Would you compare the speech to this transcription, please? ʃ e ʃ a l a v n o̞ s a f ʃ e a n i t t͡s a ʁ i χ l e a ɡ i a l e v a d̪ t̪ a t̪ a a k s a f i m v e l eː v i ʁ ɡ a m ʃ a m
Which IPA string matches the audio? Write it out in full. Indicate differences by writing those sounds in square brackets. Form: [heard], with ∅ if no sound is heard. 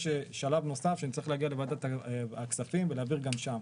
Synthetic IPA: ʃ e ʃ a l a v n o̞ s a f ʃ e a n i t t͡s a ʁ i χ l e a ɡ i a l e v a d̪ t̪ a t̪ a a k s a f i m v e l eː v i ʁ ɡ a m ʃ a m